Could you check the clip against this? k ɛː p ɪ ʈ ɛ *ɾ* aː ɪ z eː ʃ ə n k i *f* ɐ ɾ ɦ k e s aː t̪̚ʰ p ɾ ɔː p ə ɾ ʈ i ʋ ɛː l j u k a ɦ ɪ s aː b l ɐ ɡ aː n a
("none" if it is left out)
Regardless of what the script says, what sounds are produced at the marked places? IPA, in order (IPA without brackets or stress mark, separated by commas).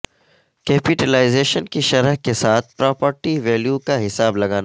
l, ʃ